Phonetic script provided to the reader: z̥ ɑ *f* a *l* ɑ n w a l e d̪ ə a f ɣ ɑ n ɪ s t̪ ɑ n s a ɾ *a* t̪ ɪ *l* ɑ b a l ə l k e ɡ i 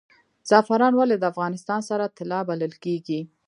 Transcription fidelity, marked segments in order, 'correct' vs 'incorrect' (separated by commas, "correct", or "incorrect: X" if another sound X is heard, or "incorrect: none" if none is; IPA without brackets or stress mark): correct, incorrect: ɾ, correct, correct